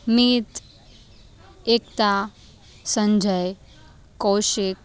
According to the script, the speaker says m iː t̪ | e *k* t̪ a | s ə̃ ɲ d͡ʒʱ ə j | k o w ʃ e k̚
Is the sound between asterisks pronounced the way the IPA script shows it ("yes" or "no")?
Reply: yes